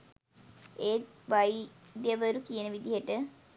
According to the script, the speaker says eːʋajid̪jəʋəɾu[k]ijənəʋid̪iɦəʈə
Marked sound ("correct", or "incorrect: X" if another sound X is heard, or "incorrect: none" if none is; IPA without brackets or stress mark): correct